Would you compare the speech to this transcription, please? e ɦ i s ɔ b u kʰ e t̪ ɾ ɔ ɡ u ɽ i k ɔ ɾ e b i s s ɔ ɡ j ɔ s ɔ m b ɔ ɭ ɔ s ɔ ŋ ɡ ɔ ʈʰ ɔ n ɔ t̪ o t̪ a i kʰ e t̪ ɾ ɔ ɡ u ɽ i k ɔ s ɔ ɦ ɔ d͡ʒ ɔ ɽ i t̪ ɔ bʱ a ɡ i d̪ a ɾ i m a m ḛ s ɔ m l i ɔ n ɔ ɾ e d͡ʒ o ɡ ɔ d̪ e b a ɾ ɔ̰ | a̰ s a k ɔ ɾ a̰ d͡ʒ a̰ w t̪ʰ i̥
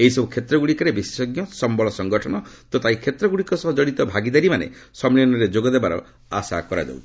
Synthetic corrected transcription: e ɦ i s ɔ b u kʰ e t̪ ɾ ɔ ɡ u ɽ i k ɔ ɾ e b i s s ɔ ɡ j ɔ s ɔ m b ɔ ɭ ɔ s ɔ ŋ ɡ ɔ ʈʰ ɔ n ɔ t̪ o t̪ a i kʰ e t̪ ɾ ɔ ɡ u ɽ i k ɔ s ɔ ɦ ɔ d͡ʒ ɔ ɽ i t̪ ɔ bʱ a ɡ i d̪ a ɾ i m a n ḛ s ɔ m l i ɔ n ɔ ɾ e d͡ʒ o ɡ ɔ d̪ e b a ɾ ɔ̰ | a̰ s a k ɔ ɾ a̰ d͡ʒ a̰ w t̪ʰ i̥

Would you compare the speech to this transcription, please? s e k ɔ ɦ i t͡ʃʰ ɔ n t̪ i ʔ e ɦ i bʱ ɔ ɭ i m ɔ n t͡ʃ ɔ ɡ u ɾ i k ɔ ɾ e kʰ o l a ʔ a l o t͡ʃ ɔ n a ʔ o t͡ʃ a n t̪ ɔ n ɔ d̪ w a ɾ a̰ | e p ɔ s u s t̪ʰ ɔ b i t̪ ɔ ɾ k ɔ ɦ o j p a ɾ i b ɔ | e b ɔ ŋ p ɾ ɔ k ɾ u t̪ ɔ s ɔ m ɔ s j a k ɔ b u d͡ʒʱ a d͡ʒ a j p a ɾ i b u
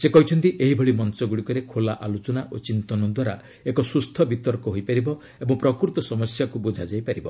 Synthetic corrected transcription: s e k ɔ ɦ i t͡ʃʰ ɔ n t̪ i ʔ e ɦ i bʱ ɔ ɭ i m ɔ n t͡ʃ ɔ ɡ u ɽ i k ɔ ɾ e kʰ o l a ʔ a l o t͡ʃ ɔ n a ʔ o t͡ʃ i n t̪ ɔ n ɔ d̪ w a ɾ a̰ | e k ɔ s u s t̪ʰ ɔ b i t̪ ɔ ɾ k ɔ ɦ o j p a ɾ i b ɔ | e b ɔ ŋ p ɾ ɔ k ɾ u t̪ ɔ s ɔ m ɔ s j a k u b u d͡ʒʱ a d͡ʒ a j p a ɾ i b ɔ

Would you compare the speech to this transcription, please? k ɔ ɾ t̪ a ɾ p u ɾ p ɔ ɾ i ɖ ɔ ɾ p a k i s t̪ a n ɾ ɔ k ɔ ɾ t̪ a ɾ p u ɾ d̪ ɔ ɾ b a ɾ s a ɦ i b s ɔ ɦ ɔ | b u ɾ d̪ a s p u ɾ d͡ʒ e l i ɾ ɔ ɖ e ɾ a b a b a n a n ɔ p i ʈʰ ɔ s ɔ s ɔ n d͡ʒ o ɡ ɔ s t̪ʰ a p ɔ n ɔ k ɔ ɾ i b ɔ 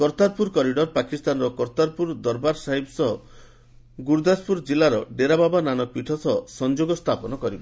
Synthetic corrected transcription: k ɔ ɾ t̪ a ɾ p u ɾ k ɔ ɾ i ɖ ɔ ɾ p a k i s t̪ a n ɾ ɔ k ɔ ɾ t̪ a ɾ p u ɾ d̪ ɔ ɾ b a ɾ s a ɦ i b s ɔ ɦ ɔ | ɡ u ɾ d̪ a s p u ɾ d͡ʒ i l a ɾ ɔ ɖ e ɾ a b a b a n a n ɔ p i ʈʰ ɔ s ɔ s ɔ n d͡ʒ o ɡ ɔ s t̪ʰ a p ɔ n ɔ k ɔ ɾ i b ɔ

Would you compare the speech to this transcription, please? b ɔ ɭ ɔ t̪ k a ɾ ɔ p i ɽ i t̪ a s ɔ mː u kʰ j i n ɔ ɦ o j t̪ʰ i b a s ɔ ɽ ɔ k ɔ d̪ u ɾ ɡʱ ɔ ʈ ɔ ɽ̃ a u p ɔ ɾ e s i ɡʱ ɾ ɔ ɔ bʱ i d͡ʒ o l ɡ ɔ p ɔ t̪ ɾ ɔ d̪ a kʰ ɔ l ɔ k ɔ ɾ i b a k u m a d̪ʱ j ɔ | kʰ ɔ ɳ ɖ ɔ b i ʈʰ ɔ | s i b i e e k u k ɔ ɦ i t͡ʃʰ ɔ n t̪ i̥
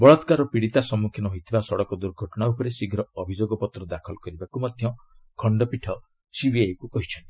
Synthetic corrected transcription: b ɔ ɭ ɔ t̪ k a ɾ ɔ p i ɽ i t̪ a s ɔ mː u kʰ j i n ɔ ɦ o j t̪ʰ i b a s ɔ ɽ ɔ k ɔ d̪ u ɾ ɡʱ ɔ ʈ ɔ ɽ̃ a u p ɔ ɾ e s i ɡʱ ɾ ɔ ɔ bʱ i d͡ʒ o ɡ ɔ p ɔ t̪ ɾ ɔ d̪ a kʰ ɔ l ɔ k ɔ ɾ i b a k u m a d̪ʱ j ɔ | kʰ ɔ ɳ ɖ ɔ p i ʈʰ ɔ | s i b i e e k u k ɔ ɦ i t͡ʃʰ ɔ n t̪ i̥

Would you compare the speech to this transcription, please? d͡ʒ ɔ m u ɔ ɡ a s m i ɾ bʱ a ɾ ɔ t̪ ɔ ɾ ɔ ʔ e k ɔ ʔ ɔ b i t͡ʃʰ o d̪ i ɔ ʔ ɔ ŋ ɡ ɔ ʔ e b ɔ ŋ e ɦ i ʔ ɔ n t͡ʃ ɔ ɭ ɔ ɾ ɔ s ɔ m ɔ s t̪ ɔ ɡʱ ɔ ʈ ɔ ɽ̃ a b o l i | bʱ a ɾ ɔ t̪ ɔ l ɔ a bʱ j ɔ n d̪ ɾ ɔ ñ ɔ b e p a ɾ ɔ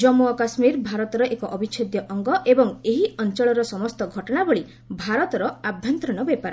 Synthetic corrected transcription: d͡ʒ ɔ m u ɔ k a s m i ɾ bʱ a ɾ ɔ t̪ ɔ ɾ ɔ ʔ e k ɔ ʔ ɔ b i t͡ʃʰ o d̪ j ɔ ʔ ɔ ŋ ɡ ɔ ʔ e b ɔ ŋ e ɦ i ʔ ɔ n t͡ʃ ɔ ɭ ɔ ɾ ɔ s ɔ m ɔ s t̪ ɔ ɡʱ ɔ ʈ ɔ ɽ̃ a b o ɭ i | bʱ a ɾ ɔ t̪ ɔ ɾ ɔ a bʱ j ɔ n t̪ ɾ ɔ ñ ɔ b e p a ɾ ɔ

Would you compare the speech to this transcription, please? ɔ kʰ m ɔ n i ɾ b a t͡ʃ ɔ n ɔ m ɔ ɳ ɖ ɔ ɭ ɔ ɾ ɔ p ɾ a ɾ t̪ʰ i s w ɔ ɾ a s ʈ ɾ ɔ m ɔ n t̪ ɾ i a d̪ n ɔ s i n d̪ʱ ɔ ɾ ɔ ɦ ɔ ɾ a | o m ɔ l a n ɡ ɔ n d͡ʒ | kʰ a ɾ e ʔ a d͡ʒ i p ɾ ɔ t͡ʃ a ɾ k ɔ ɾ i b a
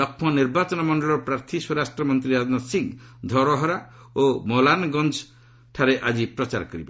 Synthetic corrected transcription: ɔ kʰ m ɔ n i ɾ b a t͡ʃ ɔ n ɔ m ɔ ɳ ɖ ɔ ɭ ɔ ɾ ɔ p ɾ a ɾ t̪ʰ i s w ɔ ɾ a s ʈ ɾ ɔ m ɔ n t̪ ɾ i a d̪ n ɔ s i ŋ d̪ʱ ɔ ɾ ɔ ɦ ɔ ɾ a | o m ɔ l a n ɡ ɔ n d͡ʒ | ʈʰ a ɾ e ʔ a d͡ʒ i p ɾ ɔ t͡ʃ a ɾ k ɔ ɾ i b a

